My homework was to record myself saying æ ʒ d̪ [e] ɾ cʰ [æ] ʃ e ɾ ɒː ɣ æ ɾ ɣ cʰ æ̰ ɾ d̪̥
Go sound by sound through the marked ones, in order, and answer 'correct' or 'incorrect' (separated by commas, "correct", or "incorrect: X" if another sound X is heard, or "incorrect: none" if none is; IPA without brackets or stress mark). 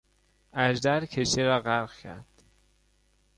incorrect: æ, incorrect: e